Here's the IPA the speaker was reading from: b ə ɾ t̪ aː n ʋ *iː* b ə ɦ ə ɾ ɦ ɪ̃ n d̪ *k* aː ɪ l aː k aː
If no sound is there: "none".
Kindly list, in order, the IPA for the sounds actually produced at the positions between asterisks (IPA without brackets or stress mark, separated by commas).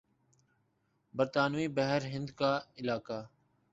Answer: iː, k